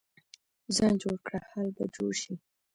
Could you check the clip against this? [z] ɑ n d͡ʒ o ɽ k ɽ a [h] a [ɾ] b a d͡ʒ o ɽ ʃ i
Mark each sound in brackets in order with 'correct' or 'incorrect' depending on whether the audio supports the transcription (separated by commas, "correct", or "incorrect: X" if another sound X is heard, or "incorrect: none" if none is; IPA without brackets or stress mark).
correct, correct, incorrect: l